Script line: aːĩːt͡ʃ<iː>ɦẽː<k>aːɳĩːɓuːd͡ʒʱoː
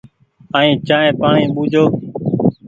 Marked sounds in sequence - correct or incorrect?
incorrect: aː, incorrect: p

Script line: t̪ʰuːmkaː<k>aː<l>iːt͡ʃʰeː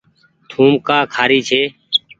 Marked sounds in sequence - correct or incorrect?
incorrect: kʰ, incorrect: ɾ

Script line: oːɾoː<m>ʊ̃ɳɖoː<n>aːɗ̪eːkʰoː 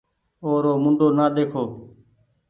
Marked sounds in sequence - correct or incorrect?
correct, correct

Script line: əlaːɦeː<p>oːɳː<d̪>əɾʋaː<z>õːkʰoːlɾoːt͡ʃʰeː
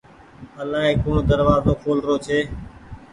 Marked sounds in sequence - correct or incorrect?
incorrect: k, correct, correct

